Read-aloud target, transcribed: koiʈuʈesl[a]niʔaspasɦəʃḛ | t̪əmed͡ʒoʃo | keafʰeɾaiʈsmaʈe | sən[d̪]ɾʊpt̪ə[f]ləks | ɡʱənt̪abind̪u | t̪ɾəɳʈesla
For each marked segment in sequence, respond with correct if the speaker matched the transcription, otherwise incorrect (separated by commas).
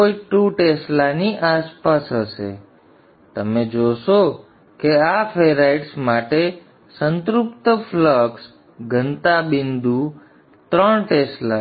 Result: correct, incorrect, correct